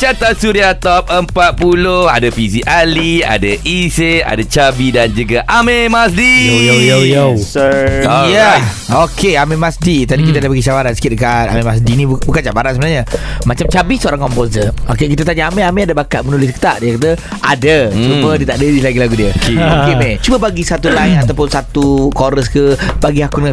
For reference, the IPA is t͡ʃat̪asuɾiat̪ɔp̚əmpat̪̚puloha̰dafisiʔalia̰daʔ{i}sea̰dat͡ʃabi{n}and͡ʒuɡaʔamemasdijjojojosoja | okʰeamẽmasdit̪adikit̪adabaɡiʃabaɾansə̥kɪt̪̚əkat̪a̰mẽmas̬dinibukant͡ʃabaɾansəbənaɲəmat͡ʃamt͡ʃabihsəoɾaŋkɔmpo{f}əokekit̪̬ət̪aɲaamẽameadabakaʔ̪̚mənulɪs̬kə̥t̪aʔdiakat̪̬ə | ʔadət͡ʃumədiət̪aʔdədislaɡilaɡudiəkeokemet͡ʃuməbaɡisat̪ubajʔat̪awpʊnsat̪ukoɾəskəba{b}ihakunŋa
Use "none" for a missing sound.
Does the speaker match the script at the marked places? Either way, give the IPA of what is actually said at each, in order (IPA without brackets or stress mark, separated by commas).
i, d, s, ɡ